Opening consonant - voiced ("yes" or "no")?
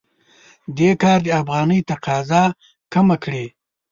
yes